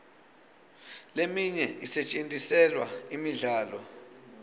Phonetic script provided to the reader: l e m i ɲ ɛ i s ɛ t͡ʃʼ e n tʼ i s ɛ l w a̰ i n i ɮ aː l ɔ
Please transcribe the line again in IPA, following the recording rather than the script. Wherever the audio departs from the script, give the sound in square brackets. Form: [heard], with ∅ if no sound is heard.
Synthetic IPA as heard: l e m i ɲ ɛ i s ɛ t͡ʃʼ e n tʼ i s ɛ l w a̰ i [m] i ɮ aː l ɔ